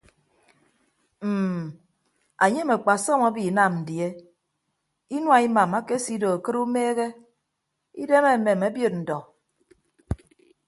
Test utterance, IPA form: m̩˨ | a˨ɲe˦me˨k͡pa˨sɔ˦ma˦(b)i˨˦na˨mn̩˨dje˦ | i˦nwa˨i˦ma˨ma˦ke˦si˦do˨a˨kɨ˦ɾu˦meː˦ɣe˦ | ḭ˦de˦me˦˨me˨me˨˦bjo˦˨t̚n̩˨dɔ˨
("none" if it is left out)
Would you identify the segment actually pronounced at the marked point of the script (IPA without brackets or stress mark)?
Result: b